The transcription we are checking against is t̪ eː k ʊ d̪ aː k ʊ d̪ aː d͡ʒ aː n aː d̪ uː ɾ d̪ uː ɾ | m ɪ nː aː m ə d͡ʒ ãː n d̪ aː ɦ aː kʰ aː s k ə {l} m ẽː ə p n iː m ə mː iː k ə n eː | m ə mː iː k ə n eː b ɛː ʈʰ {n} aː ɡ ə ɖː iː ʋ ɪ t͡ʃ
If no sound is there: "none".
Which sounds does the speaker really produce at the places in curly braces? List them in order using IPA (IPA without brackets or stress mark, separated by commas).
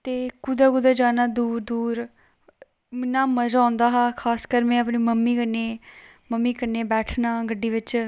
ɾ, n